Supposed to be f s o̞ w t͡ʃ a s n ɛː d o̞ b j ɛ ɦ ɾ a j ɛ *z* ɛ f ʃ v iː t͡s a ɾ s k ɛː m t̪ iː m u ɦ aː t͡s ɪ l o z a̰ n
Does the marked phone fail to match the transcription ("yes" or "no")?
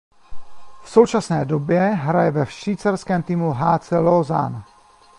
yes